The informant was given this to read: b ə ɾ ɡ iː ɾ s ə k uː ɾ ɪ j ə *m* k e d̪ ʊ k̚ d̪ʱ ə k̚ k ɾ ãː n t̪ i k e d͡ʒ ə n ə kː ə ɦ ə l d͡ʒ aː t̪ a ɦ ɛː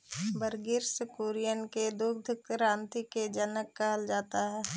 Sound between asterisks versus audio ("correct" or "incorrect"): incorrect